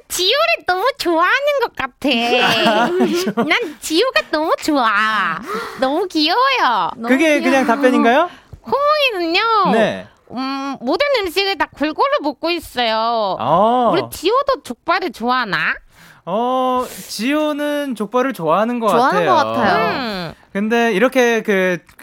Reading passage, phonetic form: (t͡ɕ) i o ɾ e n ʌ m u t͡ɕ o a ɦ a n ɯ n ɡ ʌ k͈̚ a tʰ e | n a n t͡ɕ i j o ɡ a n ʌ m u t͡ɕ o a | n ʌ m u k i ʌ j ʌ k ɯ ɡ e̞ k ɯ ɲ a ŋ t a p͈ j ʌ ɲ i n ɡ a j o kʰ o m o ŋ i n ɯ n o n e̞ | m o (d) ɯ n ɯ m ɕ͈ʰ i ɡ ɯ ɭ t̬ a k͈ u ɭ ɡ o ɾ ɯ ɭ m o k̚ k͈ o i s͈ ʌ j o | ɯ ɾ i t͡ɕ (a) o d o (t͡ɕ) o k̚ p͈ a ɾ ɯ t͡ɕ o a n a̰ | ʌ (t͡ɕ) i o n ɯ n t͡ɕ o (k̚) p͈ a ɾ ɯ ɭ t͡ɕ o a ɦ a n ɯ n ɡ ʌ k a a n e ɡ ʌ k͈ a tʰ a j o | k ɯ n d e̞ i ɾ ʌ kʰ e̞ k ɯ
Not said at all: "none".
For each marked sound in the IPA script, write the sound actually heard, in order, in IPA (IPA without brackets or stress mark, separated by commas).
t͡ɕ, d, i, t͡ɕ, t͡ɕ, k̚